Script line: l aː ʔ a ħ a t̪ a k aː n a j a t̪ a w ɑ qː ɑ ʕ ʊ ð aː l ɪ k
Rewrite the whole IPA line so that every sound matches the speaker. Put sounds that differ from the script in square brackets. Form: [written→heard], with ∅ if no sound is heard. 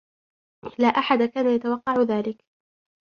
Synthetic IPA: l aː ʔ a ħ a [t̪→d̪] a k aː n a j a t̪ a w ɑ qː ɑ ʕ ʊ ð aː l ɪ k